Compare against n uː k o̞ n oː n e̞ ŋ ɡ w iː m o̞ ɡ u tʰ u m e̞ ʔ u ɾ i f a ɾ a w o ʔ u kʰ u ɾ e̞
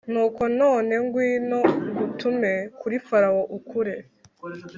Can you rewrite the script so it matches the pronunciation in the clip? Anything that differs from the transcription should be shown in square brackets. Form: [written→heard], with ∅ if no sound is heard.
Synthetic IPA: n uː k o̞ n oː n e̞ ŋ ɡ w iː [m→n] o̞ ɡ u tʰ u m e̞ [ʔ→k] u ɾ i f a ɾ a w o ʔ u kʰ u ɾ e̞